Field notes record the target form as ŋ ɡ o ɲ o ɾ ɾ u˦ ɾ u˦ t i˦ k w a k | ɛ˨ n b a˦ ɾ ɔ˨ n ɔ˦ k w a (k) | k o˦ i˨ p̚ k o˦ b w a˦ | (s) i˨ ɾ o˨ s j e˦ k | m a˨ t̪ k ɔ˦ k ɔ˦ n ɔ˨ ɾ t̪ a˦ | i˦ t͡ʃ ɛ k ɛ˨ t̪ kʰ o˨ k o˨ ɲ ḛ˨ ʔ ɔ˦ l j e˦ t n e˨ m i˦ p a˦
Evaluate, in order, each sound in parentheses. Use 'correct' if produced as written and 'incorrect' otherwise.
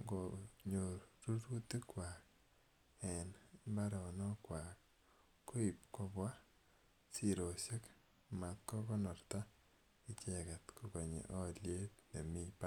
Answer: correct, correct

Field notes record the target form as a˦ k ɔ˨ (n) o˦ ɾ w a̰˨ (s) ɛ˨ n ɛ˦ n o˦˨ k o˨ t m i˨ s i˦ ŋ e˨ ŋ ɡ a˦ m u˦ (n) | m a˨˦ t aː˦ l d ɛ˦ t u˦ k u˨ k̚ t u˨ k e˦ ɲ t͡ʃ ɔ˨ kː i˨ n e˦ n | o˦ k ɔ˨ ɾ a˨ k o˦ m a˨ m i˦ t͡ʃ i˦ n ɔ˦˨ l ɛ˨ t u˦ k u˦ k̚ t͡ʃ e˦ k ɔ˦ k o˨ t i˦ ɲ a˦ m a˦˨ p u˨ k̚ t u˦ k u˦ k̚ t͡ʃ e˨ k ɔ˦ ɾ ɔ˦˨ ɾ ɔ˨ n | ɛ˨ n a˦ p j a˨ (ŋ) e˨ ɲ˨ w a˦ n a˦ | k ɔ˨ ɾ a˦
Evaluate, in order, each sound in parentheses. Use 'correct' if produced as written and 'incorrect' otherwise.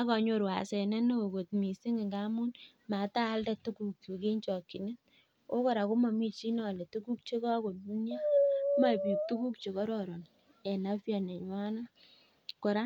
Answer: incorrect, correct, correct, incorrect

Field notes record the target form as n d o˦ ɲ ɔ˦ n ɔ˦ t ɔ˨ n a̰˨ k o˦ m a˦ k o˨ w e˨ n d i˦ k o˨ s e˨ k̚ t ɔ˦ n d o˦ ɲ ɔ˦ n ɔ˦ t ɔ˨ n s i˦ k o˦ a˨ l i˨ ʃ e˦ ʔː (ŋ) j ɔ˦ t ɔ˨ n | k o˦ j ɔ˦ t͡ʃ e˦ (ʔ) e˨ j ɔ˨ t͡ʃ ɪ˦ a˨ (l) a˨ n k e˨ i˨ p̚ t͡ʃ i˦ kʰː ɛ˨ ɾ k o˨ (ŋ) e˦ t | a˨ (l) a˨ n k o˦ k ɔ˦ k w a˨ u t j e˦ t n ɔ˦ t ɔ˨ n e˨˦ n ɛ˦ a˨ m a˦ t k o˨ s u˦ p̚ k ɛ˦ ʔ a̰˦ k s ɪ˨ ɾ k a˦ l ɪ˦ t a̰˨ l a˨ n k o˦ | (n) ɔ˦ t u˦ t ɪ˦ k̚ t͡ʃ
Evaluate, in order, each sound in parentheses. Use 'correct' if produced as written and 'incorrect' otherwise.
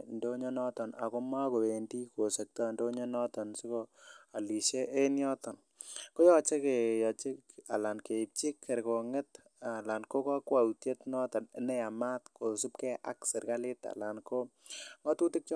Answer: incorrect, incorrect, correct, correct, correct, incorrect

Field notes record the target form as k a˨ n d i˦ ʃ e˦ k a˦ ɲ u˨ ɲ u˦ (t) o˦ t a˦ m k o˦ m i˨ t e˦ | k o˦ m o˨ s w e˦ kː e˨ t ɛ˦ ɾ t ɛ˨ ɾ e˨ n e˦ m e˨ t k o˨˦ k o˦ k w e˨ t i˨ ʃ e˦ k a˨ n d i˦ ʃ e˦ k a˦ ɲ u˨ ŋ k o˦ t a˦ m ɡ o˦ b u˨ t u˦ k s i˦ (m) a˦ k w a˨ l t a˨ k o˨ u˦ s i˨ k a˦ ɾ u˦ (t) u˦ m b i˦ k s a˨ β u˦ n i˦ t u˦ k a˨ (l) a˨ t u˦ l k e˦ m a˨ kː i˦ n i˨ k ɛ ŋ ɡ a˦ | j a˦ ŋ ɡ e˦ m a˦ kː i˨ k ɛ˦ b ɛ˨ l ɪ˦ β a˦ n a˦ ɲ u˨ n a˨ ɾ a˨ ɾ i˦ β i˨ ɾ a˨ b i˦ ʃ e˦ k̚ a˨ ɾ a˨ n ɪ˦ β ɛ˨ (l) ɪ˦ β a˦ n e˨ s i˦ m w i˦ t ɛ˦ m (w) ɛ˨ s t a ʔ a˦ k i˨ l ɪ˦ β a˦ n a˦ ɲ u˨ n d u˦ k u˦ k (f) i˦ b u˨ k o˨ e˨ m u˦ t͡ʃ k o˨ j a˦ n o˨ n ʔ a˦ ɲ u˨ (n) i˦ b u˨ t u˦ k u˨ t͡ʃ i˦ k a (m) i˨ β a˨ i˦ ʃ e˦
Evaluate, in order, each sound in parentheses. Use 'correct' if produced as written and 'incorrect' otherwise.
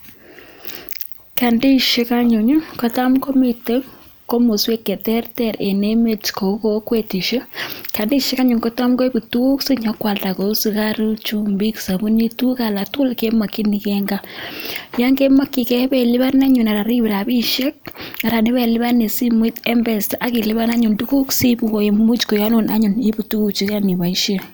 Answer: incorrect, incorrect, incorrect, correct, correct, incorrect, incorrect, correct, incorrect

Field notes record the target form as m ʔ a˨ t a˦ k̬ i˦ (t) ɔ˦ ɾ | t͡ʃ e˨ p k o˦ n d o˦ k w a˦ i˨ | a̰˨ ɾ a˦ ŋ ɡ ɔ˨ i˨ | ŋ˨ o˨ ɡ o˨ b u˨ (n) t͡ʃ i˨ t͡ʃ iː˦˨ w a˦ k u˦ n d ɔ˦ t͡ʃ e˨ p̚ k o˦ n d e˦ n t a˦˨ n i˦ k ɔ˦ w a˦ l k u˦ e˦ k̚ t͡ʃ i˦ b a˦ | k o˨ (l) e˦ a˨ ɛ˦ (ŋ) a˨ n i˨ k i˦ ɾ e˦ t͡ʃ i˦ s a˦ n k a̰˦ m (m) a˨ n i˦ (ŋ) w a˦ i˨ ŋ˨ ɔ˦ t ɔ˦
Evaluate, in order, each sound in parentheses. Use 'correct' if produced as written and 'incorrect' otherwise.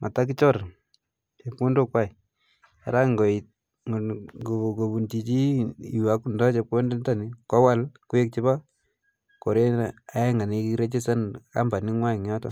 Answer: incorrect, correct, incorrect, correct, incorrect, correct

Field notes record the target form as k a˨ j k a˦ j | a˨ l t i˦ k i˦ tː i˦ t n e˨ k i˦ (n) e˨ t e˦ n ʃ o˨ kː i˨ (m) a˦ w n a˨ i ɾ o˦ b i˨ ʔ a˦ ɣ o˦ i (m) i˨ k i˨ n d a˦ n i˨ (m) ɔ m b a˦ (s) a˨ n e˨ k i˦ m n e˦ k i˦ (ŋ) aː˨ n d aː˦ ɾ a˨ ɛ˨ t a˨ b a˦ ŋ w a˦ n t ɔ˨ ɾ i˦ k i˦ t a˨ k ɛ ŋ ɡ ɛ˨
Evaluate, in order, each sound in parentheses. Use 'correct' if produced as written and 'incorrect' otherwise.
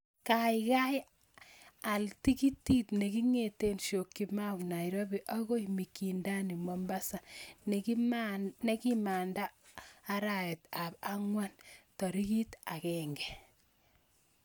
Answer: incorrect, correct, correct, correct, correct, incorrect

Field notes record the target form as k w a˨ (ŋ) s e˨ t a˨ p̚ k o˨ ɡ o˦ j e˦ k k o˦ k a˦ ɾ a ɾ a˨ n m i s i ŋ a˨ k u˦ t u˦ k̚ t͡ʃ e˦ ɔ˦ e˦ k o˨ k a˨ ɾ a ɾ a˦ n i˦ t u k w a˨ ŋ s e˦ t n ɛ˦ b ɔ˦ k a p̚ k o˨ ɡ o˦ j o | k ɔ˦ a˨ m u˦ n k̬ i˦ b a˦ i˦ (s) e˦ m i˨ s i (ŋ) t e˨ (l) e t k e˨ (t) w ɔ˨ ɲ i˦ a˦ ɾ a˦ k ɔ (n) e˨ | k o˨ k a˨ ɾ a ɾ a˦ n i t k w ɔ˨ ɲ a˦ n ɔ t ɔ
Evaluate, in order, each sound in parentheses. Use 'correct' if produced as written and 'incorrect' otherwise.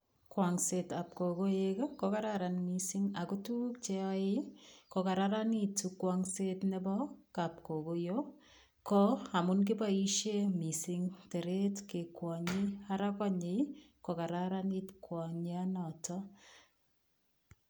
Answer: correct, incorrect, correct, incorrect, incorrect, incorrect

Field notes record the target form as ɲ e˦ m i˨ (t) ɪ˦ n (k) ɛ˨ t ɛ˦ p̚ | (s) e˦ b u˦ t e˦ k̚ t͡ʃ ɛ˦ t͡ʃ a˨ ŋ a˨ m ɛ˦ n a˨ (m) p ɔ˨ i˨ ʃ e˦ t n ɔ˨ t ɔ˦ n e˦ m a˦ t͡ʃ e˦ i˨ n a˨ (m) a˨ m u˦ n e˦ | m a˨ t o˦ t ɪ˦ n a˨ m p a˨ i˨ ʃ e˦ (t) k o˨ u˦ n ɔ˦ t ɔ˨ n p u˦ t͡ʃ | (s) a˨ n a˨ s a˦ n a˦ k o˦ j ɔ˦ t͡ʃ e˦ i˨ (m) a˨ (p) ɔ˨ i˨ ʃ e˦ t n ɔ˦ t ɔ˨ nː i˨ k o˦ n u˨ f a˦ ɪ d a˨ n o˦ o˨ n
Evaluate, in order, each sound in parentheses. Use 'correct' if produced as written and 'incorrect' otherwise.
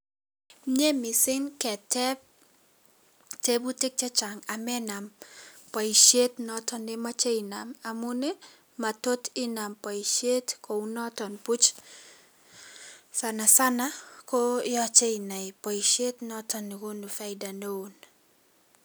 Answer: incorrect, correct, incorrect, correct, correct, correct, correct, incorrect, correct

